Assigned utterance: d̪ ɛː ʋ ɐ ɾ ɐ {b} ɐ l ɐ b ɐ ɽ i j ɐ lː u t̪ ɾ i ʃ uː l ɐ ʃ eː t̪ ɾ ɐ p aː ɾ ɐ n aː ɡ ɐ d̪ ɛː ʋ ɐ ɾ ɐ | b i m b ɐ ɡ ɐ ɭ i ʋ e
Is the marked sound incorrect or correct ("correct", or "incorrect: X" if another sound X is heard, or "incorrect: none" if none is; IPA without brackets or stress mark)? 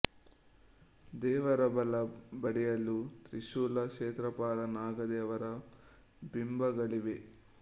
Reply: correct